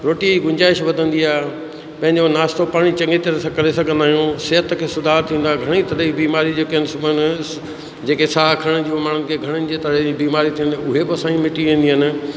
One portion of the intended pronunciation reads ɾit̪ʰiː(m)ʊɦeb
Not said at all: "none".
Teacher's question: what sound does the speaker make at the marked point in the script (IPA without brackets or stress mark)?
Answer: n